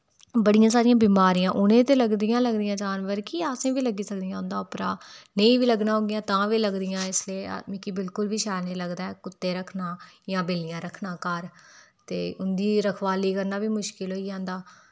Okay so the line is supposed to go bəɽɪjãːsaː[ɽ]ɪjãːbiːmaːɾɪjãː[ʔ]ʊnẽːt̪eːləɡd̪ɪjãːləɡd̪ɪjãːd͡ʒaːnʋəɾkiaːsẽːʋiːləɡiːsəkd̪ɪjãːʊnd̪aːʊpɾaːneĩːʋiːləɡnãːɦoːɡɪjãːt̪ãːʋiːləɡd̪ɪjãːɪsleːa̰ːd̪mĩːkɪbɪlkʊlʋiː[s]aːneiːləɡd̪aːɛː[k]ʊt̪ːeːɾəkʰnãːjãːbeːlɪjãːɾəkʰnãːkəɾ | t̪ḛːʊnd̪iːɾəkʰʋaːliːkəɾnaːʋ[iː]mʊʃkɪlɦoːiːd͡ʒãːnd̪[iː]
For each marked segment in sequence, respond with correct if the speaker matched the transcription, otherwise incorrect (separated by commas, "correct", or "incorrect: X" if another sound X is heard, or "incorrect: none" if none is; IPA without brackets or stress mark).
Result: incorrect: ɾ, correct, incorrect: ʃ, correct, correct, incorrect: aː